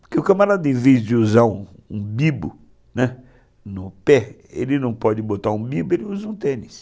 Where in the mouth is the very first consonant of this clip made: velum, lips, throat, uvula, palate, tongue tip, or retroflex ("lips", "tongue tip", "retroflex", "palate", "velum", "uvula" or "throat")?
lips